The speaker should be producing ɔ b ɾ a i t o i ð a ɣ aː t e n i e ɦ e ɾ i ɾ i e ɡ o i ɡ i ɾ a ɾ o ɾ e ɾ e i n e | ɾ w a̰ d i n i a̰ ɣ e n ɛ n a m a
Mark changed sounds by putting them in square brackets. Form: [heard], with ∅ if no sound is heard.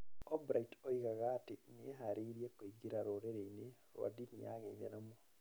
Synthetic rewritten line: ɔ b ɾ a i t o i [ɣ] a ɣ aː t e n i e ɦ [a] ɾ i ɾ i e [k] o i ɡ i ɾ a ɾ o ɾ e ɾ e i n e | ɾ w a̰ d i n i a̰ ɣ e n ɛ n a m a